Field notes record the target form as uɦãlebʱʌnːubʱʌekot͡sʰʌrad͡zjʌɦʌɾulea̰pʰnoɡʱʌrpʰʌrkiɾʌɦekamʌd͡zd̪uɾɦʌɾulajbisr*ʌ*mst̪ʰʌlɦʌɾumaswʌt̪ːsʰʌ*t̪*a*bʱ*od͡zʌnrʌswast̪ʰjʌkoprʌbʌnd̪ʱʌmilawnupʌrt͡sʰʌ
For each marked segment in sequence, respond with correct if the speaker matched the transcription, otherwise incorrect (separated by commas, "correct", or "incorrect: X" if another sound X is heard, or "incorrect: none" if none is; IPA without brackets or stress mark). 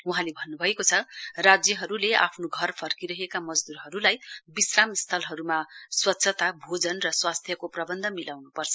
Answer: incorrect: a, correct, correct